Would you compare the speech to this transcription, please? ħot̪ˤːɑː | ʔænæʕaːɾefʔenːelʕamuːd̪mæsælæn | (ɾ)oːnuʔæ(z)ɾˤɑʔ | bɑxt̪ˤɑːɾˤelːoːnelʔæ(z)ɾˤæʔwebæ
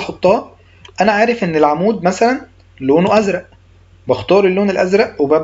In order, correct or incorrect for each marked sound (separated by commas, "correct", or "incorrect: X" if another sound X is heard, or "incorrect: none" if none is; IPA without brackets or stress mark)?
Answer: incorrect: l, correct, correct